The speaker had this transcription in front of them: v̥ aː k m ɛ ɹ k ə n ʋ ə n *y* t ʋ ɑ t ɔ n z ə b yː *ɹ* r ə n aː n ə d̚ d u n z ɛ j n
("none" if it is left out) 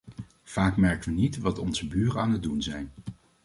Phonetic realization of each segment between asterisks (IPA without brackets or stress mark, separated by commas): i, none